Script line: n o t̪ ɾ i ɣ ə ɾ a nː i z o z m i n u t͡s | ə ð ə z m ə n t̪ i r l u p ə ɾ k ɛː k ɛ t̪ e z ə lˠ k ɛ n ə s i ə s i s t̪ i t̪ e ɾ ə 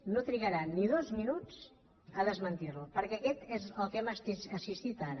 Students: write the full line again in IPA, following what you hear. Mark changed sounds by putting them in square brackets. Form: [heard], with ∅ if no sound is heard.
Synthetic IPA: n o t̪ ɾ i ɣ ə ɾ a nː i [ð] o z m i n u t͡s | ə ð ə z m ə n t̪ i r l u p ə ɾ k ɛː k ɛ t̪ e z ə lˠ k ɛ [m] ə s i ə s i s t̪ i t̪ [a] ɾ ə